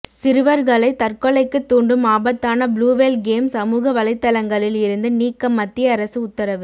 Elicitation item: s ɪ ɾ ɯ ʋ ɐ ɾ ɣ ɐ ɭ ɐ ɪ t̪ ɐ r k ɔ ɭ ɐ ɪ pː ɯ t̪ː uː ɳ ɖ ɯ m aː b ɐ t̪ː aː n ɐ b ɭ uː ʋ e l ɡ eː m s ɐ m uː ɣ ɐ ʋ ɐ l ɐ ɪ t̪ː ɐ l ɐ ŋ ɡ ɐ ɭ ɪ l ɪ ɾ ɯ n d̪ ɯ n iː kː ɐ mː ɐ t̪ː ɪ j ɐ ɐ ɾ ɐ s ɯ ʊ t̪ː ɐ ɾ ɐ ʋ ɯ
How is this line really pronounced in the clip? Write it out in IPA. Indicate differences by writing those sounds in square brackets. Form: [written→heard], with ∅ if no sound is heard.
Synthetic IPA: s ɪ ɾ ɯ ʋ ɐ ɾ ɣ ɐ ɭ ɐ ɪ t̪ ɐ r k ɔ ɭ ɐ ɪ [pː→kː] ɯ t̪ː uː ɳ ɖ ɯ m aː b ɐ t̪ː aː n ɐ b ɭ uː ʋ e l ɡ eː m s ɐ m uː ɣ ɐ ʋ ɐ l ɐ ɪ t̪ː ɐ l ɐ ŋ ɡ ɐ ɭ ɪ l ɪ ɾ ɯ n d̪ ɯ n iː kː ɐ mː ɐ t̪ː ɪ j ɐ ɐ ɾ ɐ s ɯ ʊ t̪ː ɐ ɾ ɐ ʋ ɯ